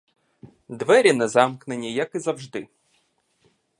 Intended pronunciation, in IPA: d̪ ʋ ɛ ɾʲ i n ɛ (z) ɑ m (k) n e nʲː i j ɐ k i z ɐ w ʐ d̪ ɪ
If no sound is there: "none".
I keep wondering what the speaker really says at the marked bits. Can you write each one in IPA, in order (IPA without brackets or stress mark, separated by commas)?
z, k